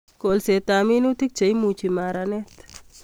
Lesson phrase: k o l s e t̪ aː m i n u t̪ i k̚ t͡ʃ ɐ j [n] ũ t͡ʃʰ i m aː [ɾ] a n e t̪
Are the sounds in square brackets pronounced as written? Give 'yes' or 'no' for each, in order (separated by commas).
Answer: no, yes